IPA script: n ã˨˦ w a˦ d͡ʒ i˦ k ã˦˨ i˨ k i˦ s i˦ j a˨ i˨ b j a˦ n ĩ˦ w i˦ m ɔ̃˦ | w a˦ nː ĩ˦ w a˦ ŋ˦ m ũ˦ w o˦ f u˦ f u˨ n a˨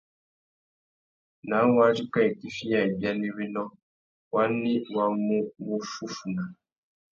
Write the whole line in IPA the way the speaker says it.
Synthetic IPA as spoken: n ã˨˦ w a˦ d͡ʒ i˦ k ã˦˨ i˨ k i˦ f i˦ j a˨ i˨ b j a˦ n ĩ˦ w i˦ n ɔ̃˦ | w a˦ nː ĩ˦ w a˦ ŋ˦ m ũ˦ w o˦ f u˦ f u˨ n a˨